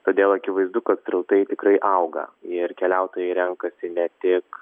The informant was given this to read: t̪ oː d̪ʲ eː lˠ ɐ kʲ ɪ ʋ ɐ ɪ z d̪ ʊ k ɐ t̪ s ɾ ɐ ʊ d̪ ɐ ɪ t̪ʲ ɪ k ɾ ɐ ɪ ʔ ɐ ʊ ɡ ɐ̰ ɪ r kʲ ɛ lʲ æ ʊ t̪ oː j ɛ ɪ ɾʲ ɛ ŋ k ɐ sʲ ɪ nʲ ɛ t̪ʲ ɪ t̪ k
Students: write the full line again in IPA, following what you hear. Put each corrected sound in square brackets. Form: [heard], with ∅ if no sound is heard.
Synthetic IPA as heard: t̪ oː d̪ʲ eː lˠ ɐ kʲ ɪ ʋ ɐ ɪ z d̪ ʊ k ɐ t̪ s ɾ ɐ ʊ [t̪] ɐ ɪ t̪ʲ ɪ k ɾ ɐ ɪ ʔ ɐ ʊ ɡ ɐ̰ ɪ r kʲ ɛ lʲ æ ʊ t̪ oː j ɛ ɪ ɾʲ ɛ ŋ k ɐ sʲ ɪ nʲ ɛ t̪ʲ ɪ [∅] k